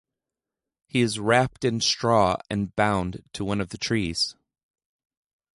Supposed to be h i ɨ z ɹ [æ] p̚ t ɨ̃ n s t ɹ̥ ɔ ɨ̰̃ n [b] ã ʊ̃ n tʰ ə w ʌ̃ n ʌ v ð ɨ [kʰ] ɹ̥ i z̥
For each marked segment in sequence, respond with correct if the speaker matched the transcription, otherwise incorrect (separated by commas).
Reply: correct, correct, incorrect